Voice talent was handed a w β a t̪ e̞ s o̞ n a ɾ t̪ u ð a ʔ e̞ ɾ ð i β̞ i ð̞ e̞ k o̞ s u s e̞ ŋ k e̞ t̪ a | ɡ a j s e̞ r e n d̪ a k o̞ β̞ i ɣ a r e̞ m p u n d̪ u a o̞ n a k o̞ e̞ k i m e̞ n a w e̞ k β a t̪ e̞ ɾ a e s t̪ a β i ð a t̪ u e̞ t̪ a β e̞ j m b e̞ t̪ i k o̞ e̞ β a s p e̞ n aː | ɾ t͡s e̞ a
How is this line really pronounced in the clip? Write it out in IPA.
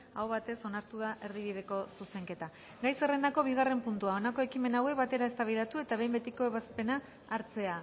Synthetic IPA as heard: a w β a t̪ e̞ s o̞ n a ɾ t̪ u ð a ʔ e̞ ɾ ð i β̞ i ð̞ e̞ k o̞ s u s e̞ ŋ k e̞ t̪ a | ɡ a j s e̞ r e n d̪ a k o̞ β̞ i ɣ a r e̞ m p u n t̪ u a o̞ n a k o̞ e̞ k i m e̞ n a w e̞ k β a t̪ e̞ ɾ a e s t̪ a β i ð a t̪ u e̞ t̪ a β e̞ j m b e̞ t̪ i k o̞ e̞ β a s p e̞ n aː | ɾ t͡s e̞ a